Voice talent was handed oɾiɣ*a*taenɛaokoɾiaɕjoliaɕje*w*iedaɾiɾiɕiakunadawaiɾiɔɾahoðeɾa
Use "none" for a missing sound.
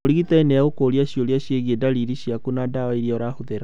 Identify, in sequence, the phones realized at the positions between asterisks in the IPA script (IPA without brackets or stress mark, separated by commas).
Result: i, ɣ